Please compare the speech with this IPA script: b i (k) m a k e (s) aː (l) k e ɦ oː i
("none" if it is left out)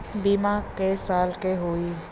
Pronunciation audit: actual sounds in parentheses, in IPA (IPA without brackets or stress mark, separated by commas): none, s, l